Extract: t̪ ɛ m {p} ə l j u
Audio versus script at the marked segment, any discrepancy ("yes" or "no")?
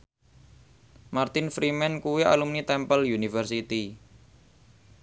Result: no